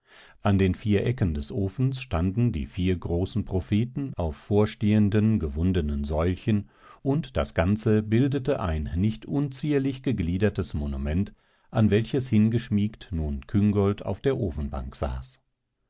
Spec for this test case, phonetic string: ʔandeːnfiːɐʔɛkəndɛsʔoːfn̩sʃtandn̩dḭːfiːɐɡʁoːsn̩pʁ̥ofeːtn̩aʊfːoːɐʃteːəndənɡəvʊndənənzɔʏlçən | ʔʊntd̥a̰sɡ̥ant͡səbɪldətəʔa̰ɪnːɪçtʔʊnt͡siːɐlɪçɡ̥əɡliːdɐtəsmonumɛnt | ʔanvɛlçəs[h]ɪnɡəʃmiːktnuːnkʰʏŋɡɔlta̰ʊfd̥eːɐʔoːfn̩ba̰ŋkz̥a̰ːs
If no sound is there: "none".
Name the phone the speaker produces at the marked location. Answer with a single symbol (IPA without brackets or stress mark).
h